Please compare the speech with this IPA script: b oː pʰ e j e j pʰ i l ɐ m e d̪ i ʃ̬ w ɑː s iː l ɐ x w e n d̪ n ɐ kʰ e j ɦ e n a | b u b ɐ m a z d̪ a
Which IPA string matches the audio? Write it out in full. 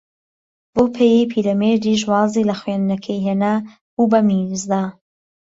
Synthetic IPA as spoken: b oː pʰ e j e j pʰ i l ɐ m e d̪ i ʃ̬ w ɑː z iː l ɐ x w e n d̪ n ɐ kʰ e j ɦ e n a | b u b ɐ m i z d̪ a